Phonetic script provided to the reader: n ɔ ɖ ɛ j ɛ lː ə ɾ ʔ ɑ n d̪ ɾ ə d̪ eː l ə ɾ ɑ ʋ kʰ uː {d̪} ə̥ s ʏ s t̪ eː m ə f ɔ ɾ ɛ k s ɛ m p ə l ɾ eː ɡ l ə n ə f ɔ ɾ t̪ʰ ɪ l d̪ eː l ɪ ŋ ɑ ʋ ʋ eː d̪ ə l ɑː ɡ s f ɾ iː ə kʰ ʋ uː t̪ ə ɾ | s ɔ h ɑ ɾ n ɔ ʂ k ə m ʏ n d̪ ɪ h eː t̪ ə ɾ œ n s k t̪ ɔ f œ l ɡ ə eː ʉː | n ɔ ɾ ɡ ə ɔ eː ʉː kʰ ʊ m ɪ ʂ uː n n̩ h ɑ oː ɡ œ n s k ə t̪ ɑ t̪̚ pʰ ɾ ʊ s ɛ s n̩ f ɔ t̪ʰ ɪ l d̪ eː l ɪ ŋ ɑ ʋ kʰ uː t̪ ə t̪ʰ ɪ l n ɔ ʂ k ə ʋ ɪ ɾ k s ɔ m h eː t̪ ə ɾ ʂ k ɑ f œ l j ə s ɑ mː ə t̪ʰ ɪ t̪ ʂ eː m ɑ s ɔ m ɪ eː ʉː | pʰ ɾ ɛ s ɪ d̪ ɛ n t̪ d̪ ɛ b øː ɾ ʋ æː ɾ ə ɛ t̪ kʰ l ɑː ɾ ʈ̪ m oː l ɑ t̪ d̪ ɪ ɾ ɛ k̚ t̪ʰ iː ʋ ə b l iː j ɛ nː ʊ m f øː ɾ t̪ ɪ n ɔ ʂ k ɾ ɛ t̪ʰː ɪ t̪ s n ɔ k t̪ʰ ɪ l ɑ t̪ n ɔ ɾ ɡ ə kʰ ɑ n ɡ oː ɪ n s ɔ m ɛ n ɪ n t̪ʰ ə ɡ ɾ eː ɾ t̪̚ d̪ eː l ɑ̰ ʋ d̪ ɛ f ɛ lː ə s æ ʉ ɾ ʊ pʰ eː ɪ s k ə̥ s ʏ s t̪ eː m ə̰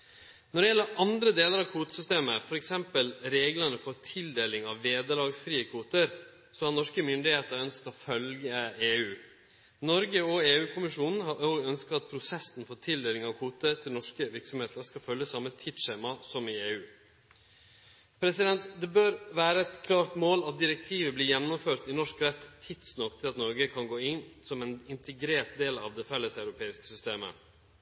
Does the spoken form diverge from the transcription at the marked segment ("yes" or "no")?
yes